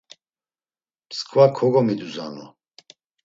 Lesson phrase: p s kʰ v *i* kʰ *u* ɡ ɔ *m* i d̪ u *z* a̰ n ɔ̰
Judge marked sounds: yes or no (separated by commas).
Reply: no, no, yes, yes